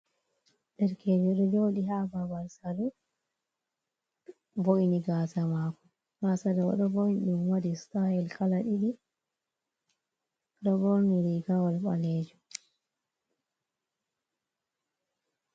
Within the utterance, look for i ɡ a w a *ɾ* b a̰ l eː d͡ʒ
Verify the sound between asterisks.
incorrect: l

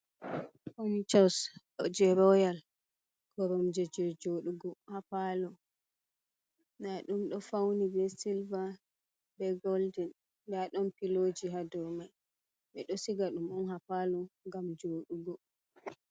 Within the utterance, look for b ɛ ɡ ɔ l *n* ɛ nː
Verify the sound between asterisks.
incorrect: d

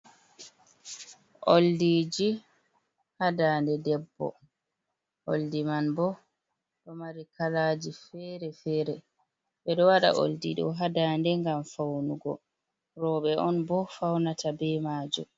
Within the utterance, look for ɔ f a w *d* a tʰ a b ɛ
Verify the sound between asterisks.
incorrect: n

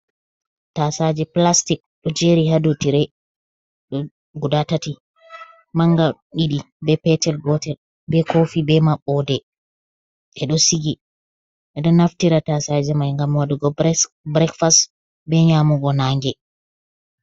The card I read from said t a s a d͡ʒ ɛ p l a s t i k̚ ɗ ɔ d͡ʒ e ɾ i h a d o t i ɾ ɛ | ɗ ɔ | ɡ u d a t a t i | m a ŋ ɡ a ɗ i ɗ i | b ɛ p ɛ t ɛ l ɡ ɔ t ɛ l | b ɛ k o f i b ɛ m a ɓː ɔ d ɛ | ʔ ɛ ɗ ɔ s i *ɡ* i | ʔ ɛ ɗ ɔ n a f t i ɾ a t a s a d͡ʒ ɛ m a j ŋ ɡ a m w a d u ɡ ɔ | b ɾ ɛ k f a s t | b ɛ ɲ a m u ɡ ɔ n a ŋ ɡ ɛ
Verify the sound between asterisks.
correct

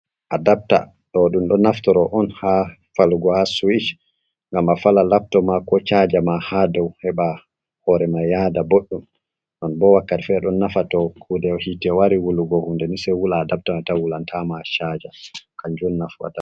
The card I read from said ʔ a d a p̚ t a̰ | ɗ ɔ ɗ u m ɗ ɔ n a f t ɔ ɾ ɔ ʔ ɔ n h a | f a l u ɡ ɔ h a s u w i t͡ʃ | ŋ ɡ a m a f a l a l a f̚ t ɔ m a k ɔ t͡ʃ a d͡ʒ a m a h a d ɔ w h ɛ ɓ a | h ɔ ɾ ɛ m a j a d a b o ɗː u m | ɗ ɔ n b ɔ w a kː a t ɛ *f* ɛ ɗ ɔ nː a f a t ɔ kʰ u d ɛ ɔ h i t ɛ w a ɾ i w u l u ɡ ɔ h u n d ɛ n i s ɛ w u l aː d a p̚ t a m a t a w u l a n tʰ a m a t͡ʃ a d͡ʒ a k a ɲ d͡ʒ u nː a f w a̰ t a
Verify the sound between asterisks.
correct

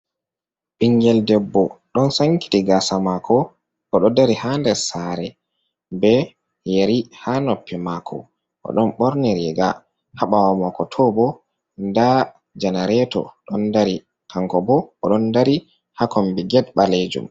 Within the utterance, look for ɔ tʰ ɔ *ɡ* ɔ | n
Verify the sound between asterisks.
incorrect: b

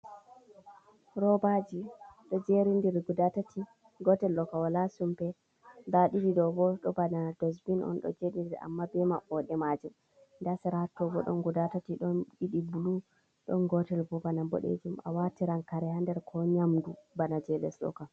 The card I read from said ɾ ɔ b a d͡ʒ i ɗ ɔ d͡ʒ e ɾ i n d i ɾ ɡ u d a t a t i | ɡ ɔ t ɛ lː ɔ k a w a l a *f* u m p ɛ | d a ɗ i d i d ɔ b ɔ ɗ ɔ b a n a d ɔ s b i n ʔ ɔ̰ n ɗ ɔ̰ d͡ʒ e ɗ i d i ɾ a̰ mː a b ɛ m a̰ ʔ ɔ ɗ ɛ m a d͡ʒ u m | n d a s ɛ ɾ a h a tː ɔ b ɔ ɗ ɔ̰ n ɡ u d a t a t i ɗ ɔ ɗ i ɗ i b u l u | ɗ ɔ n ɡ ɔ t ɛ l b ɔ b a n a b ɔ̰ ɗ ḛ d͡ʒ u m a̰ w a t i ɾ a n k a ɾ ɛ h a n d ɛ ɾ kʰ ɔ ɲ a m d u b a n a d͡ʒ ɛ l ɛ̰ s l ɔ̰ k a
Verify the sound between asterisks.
incorrect: s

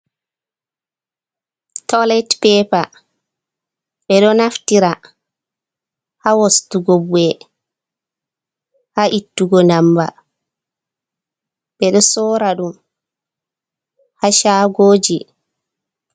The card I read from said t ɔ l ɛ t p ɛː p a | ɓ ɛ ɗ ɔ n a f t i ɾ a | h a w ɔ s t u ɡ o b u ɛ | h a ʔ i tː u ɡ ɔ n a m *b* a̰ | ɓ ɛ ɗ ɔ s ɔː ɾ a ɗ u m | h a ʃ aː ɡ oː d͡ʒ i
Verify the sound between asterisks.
correct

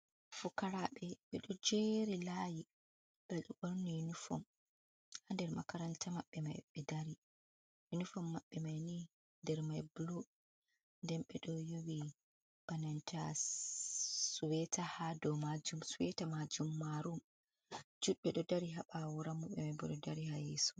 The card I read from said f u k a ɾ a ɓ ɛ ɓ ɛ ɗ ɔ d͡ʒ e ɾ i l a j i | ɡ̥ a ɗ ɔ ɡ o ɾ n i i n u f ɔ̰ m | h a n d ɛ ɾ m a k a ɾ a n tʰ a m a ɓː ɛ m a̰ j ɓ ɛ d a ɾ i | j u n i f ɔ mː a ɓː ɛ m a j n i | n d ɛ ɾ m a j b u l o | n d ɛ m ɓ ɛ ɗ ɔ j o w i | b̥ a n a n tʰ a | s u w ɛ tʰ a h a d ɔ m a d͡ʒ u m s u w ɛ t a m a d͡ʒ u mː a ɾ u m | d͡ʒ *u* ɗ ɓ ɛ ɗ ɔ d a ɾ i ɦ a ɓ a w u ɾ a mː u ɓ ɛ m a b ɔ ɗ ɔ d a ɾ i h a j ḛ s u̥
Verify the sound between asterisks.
correct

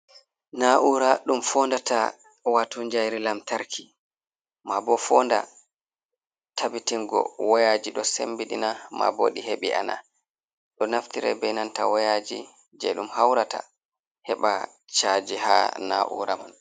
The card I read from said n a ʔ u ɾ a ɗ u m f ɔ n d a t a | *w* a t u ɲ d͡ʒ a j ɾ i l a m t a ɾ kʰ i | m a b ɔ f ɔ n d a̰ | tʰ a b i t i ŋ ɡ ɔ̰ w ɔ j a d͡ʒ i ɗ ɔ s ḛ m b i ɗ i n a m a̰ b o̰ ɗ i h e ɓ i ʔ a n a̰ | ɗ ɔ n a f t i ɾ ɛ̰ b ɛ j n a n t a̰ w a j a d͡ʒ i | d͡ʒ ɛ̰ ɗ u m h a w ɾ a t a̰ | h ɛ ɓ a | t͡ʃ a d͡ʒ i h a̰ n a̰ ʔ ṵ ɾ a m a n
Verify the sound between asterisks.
correct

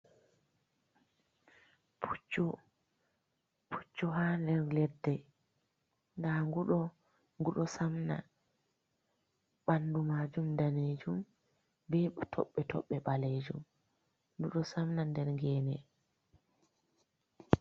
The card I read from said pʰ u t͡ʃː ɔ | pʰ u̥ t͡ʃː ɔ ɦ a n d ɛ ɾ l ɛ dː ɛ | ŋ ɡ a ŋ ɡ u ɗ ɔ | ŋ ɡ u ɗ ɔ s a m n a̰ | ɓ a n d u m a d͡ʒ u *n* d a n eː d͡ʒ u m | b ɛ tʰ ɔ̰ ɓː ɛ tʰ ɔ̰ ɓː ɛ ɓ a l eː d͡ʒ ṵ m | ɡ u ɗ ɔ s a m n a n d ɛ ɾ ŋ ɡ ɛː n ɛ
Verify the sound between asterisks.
incorrect: m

